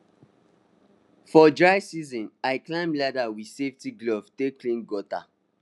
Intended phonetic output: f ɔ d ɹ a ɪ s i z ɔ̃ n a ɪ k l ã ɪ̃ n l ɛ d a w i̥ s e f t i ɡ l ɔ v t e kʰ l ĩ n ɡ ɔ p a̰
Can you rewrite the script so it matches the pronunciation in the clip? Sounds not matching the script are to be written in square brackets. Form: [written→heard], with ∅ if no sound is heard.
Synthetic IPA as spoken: f ɔ d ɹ a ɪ s i z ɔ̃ n a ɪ k l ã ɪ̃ [n→m] l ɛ d a w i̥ s e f t i ɡ l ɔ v t e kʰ l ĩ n ɡ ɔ [p→t] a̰

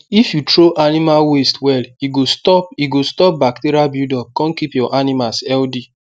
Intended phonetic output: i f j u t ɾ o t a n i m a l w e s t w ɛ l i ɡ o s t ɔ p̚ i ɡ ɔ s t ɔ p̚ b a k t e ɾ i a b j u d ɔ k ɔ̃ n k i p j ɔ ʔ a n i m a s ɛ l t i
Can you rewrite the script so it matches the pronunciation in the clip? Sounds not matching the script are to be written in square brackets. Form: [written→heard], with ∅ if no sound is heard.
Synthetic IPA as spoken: i f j u t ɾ o [t→ʔ] a n i m a l w e s t w ɛ l i ɡ o s t ɔ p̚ i ɡ [ɔ→o] s t ɔ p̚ b a k t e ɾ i a b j u d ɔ k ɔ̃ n k i p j ɔ ʔ a n i m a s ɛ l [t→d] i

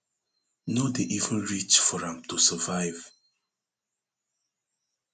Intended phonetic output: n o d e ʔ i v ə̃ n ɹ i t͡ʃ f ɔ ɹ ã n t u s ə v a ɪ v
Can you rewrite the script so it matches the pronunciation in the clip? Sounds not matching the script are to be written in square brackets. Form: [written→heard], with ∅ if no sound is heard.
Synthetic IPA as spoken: n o d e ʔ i v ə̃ n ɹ i t͡ʃ f ɔ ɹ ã [n→m] t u s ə v a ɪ v

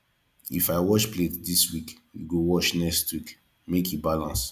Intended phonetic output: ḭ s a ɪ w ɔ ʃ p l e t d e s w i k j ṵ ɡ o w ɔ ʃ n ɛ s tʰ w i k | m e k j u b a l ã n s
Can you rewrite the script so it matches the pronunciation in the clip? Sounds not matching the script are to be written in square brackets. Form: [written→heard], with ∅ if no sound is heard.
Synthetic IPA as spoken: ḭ [s→f] a ɪ w ɔ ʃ p l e t d [e→i] s w i k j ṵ ɡ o w ɔ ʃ n ɛ s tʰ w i k | m e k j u b a l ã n s

